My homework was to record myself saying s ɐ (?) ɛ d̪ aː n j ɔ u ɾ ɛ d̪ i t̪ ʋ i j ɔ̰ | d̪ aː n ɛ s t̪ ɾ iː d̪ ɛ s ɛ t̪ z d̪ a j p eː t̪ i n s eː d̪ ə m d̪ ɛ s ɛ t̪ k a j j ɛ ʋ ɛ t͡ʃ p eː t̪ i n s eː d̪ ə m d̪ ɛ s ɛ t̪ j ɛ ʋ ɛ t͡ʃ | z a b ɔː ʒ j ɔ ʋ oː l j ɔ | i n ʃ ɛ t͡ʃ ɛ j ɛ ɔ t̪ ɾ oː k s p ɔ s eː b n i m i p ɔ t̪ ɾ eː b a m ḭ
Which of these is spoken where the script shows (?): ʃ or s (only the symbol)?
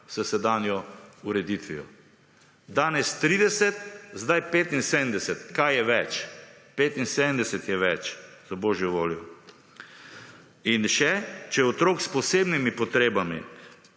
s